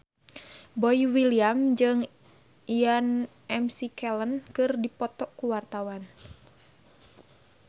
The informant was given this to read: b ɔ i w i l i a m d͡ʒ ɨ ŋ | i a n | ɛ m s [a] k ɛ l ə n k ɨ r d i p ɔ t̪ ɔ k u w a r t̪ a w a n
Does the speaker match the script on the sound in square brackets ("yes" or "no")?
no